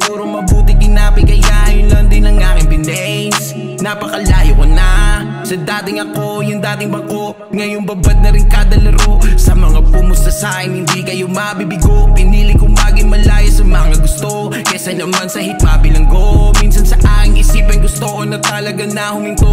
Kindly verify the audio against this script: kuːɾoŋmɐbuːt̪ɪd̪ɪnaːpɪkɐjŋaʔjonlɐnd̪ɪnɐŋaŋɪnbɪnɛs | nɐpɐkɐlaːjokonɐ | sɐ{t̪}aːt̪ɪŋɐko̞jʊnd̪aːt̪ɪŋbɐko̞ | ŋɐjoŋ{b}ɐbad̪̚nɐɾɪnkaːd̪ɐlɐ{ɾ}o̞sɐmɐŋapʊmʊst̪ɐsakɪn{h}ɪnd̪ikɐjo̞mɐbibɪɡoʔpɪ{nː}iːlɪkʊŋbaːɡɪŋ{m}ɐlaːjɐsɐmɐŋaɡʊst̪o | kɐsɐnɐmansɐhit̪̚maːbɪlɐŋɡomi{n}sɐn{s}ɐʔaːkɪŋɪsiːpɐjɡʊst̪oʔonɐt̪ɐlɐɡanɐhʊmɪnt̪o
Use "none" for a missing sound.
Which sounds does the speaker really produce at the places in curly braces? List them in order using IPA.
d̪, b, ɾ, h, n, m, n, s

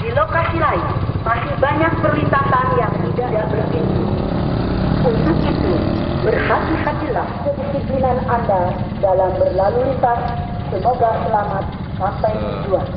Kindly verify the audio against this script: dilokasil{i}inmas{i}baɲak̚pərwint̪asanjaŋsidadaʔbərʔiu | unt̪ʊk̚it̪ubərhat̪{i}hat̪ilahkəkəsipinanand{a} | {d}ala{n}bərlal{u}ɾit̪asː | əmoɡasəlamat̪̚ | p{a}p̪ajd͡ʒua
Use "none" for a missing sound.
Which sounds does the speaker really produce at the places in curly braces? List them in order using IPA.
a, i, i, a, d, m, u, a

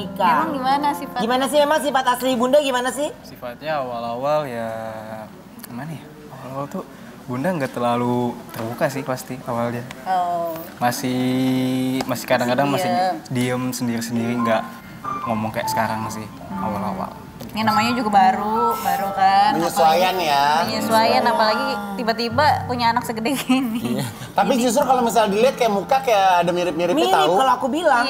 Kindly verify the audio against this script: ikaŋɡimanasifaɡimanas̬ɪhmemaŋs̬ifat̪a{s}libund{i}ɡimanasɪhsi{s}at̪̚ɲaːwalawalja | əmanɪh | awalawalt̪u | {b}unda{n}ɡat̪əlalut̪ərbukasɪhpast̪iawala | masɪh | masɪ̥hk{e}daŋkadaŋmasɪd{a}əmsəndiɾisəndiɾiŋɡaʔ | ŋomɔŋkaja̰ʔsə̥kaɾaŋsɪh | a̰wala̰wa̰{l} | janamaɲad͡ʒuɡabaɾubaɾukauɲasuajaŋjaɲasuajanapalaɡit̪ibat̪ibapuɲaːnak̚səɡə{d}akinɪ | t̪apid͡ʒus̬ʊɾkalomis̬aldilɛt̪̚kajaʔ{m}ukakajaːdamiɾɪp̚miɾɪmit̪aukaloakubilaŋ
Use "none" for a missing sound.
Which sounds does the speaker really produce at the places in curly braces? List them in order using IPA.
s, a, f, b, ŋ, a, i, l, d, m

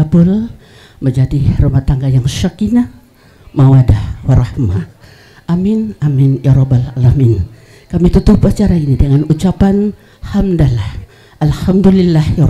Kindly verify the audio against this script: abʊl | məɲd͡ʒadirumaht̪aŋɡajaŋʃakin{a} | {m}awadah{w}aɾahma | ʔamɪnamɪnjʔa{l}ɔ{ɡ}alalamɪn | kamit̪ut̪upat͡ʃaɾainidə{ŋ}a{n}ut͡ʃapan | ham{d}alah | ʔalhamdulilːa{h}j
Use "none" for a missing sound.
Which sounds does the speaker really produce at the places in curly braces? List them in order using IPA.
a, m, w, ɾ, b, ŋ, n, d, h

